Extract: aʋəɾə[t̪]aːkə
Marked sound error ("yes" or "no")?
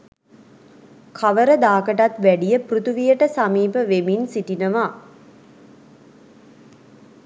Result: yes